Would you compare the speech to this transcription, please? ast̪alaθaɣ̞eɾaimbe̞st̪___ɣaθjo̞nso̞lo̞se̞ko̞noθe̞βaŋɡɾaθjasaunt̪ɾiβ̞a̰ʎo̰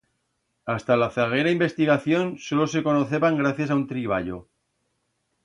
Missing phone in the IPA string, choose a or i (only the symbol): i